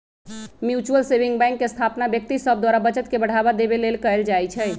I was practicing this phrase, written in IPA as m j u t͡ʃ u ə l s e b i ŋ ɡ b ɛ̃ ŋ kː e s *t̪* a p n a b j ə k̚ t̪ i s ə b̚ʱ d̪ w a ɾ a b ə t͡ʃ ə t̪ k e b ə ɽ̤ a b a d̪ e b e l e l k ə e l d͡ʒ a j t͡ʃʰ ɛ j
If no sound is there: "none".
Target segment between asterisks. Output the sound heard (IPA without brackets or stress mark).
t̪ʰ